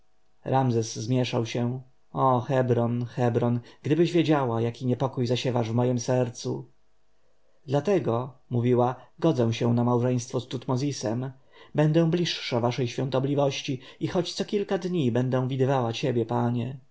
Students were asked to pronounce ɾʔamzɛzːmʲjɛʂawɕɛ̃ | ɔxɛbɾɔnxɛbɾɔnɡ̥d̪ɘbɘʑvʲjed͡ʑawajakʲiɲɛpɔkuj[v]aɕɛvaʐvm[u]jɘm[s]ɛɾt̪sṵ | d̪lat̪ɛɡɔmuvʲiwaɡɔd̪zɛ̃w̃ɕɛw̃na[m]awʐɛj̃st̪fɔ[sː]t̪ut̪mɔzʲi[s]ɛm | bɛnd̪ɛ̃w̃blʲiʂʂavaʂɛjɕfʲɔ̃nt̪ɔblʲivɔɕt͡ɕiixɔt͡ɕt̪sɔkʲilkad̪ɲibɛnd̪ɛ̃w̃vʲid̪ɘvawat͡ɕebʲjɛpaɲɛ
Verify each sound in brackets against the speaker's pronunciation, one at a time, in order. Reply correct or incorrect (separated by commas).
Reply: incorrect, incorrect, correct, correct, incorrect, correct